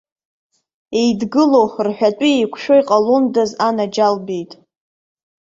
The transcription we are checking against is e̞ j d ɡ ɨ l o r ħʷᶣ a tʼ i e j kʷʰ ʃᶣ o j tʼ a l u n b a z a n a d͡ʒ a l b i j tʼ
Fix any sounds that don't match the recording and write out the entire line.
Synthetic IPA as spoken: e̞ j d ɡ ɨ l o r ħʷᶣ a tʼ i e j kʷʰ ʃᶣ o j qʼ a l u n d a z a n a d͡ʒ a l b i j tʼ